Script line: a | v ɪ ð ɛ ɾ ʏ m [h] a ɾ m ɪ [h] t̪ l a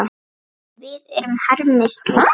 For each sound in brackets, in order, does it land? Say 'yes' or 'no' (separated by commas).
yes, no